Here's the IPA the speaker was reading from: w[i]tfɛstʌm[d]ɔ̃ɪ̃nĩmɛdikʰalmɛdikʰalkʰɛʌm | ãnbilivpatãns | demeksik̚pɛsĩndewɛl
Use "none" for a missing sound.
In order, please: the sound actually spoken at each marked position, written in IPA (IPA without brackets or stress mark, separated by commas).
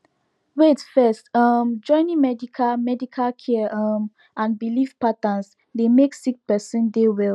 e, d͡ʒ